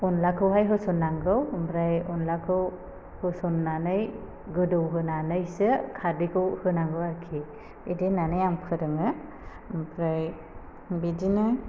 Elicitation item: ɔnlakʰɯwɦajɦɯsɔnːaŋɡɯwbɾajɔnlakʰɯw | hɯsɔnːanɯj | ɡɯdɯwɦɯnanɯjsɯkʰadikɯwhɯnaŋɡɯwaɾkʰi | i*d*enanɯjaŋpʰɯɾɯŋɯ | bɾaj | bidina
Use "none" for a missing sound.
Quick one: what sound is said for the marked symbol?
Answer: d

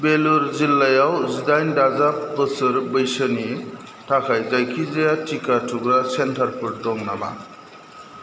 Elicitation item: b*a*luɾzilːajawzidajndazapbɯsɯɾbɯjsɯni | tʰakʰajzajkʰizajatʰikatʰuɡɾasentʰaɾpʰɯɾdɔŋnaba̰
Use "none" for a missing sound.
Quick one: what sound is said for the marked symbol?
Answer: e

